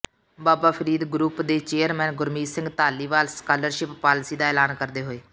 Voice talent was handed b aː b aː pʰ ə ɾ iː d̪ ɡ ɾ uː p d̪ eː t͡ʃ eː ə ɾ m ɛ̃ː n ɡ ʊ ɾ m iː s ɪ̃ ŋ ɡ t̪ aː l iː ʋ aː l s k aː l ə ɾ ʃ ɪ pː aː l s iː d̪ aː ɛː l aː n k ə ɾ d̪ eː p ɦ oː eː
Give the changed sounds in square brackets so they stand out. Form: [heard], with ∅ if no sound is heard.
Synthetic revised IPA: b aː b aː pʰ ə ɾ iː d̪ ɡ ɾ uː p d̪ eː t͡ʃ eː ə ɾ m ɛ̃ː n ɡ ʊ ɾ m iː s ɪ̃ ŋ ɡ t̪ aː l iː ʋ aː l s k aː l ə ɾ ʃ ɪ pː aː l s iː d̪ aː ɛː l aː n k ə ɾ d̪ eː [∅] ɦ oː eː